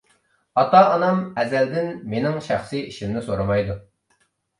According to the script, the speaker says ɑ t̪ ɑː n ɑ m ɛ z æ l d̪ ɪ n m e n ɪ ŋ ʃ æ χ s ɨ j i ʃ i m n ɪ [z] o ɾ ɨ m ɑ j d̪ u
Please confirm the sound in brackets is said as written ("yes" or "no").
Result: no